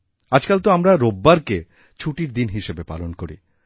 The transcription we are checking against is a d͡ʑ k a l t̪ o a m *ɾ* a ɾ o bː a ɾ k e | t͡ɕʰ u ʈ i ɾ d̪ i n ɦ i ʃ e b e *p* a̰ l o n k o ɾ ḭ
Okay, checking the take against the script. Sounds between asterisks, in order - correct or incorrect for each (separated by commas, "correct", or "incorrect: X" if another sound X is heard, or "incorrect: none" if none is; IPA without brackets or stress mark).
correct, correct